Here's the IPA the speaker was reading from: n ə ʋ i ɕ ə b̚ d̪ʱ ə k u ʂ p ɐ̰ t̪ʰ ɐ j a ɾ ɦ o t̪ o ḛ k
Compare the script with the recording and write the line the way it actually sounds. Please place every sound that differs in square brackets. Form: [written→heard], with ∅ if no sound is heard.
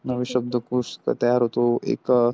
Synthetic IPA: n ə ʋ i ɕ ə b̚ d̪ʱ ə k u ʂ [p→k] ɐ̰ [t̪ʰ→t̪] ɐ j a ɾ ɦ o t̪ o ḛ k